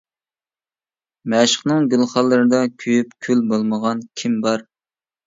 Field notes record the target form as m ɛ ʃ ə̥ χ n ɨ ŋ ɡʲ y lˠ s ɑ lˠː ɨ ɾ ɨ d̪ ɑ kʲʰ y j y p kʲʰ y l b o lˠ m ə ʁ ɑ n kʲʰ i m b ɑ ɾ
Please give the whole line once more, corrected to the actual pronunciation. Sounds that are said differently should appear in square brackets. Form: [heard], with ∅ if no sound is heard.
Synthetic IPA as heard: m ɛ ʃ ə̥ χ n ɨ ŋ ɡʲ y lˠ [χ] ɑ lˠː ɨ ɾ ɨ d̪ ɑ kʲʰ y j y p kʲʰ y l b o lˠ m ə ʁ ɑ n kʲʰ i m b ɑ ɾ